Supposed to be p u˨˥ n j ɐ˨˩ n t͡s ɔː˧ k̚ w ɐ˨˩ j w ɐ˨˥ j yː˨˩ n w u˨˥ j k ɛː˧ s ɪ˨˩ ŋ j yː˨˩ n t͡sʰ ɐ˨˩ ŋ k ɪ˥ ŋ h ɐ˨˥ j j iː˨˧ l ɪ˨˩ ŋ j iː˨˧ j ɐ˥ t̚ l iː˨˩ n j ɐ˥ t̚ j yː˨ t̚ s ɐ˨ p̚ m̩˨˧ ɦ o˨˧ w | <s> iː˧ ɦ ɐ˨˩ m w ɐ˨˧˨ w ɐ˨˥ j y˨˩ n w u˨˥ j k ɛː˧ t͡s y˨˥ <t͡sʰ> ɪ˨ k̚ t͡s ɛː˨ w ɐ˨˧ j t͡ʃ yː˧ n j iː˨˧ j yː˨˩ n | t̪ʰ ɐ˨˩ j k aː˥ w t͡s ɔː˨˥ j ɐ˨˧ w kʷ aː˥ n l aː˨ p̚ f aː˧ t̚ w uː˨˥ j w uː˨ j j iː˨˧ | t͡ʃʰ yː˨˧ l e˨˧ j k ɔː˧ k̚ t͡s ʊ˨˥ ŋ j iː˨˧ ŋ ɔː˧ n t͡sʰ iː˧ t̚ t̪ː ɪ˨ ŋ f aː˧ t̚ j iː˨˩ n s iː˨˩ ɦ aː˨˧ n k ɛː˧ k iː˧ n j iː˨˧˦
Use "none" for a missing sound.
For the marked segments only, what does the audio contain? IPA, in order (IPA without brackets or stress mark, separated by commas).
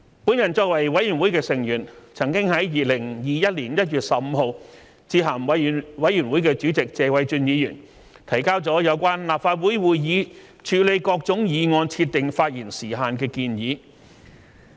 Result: t͡s, t͡s